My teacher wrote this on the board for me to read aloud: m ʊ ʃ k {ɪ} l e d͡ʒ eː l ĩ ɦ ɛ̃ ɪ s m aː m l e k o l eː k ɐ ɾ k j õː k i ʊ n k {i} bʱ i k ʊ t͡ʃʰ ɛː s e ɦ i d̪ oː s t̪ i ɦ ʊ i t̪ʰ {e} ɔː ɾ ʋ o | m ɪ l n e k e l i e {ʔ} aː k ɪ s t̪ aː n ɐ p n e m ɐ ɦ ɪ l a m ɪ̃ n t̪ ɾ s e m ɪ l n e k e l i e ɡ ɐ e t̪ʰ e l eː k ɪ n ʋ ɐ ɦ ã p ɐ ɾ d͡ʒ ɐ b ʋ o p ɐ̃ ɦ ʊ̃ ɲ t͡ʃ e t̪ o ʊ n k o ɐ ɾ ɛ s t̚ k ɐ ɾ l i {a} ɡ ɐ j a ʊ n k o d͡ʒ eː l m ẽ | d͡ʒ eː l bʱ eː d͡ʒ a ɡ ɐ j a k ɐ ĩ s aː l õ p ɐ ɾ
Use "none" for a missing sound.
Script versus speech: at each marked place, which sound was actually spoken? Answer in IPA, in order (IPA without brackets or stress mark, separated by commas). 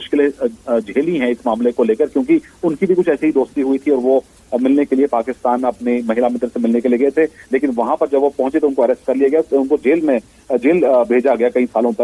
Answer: ɪ, i, i, p, a